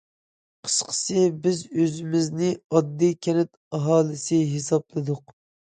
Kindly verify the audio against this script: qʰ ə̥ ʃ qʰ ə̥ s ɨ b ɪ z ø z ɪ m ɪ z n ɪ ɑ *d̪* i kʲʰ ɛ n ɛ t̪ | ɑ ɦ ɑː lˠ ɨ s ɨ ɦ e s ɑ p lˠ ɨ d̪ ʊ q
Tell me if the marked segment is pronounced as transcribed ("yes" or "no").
no